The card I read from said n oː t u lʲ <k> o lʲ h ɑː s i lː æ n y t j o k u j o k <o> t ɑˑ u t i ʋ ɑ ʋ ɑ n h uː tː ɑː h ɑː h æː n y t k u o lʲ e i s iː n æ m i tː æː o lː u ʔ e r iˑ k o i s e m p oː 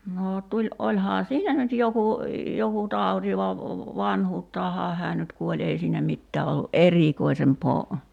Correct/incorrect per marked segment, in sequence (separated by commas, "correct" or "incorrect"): incorrect, incorrect